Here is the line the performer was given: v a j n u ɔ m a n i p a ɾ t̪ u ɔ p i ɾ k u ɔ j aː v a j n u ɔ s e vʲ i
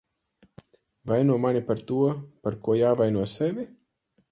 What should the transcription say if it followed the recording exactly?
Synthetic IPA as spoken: v a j n u ɔ m a n i p a ɾ t̪ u ɔ p a ɾ k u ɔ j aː v a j n u ɔ s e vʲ i